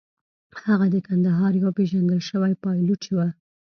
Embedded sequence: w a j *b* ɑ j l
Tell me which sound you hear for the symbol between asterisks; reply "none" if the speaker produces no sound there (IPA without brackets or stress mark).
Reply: p